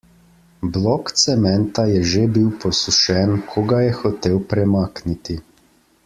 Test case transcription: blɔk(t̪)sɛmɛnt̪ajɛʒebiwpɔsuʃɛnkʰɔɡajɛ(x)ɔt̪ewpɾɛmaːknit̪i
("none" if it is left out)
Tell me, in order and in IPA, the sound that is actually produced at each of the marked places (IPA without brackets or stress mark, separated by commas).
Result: t̪, x